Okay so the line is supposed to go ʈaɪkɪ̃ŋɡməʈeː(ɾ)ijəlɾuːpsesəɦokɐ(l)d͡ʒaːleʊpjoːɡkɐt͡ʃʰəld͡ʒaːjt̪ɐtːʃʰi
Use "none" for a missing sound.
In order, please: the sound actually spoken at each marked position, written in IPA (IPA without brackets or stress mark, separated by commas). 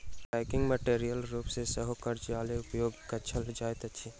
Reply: ɾ, ɾ